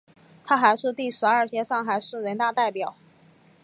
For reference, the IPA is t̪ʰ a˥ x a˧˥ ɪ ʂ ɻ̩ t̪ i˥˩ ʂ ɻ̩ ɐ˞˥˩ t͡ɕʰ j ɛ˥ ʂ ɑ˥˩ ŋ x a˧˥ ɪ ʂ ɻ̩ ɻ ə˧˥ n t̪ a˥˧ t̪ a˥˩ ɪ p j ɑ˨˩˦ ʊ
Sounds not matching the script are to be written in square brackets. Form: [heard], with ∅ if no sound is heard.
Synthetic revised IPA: t̪ʰ a˥ x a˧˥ ɪ ʂ ɻ̩ t̪ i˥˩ ʂ ɻ̩ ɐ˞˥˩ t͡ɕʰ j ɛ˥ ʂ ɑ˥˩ ŋ x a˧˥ ɪ ʂ ɻ̩ ɻ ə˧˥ n t̪ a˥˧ t̪ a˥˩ ɪ p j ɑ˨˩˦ ʊ